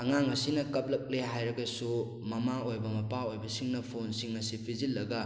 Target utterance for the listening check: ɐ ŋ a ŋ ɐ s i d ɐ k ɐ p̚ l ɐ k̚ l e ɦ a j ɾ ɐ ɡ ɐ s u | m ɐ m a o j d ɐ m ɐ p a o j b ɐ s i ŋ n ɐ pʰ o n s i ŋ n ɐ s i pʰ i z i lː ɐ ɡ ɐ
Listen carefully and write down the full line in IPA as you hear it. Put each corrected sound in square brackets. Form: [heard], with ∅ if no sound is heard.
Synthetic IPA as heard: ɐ ŋ a ŋ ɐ s i [n] ɐ k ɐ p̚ l ɐ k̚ l e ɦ a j ɾ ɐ ɡ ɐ s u | m ɐ m a o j [b] ɐ m ɐ p a o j b ɐ s i ŋ n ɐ pʰ o n s i ŋ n ɐ s i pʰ i z i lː ɐ ɡ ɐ